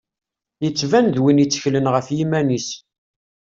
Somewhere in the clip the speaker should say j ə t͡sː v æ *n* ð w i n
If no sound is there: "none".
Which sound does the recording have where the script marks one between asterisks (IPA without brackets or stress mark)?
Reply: n